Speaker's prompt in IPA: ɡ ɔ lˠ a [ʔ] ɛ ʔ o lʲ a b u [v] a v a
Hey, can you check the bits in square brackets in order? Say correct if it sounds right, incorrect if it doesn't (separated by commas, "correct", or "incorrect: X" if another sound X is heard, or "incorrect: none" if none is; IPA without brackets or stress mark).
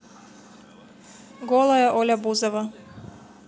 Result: incorrect: none, incorrect: z